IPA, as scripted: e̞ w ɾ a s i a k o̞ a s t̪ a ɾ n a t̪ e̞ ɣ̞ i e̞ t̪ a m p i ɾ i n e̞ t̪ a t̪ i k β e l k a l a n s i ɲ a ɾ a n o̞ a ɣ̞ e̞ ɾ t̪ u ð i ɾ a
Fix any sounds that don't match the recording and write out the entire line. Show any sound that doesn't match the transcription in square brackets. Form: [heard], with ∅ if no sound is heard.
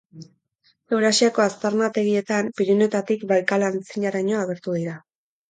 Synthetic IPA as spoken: e̞ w ɾ a s i a k o̞ a s t̪ a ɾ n a t̪ e̞ ɣ̞ i e̞ t̪ a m p i ɾ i n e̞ t̪ a t̪ i k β [a] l k a l a n [t͡s] i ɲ a ɾ a [ɲ] o̞ a ɣ̞ e̞ ɾ t̪ u ð i ɾ a